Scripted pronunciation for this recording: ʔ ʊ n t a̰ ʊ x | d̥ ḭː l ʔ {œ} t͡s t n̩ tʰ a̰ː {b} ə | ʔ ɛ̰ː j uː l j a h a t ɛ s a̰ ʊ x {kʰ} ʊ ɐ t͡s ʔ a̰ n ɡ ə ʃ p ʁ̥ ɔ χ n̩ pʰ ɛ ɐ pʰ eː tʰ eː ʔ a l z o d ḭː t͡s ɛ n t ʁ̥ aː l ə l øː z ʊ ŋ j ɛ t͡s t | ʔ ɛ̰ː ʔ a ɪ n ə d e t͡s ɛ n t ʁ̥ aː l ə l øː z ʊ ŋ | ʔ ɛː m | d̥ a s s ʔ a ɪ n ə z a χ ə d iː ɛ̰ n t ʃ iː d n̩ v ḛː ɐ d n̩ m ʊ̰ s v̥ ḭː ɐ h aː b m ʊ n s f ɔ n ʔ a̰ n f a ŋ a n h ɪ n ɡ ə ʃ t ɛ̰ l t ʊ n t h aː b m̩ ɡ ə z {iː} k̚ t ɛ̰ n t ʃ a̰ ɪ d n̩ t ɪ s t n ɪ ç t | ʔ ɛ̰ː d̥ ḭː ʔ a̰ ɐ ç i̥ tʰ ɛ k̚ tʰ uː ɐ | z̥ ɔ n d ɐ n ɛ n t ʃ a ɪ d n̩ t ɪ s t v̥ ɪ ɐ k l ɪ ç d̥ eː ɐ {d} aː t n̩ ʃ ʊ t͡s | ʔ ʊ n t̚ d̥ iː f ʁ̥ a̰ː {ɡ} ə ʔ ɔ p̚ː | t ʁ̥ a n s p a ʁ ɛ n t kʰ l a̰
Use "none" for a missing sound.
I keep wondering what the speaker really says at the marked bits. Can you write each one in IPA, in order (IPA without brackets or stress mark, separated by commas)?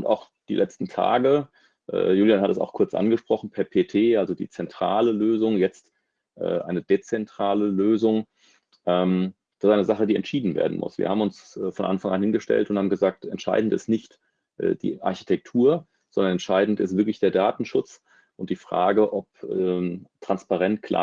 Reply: ɛ, ɡ, kʰ, aː, d, ɡ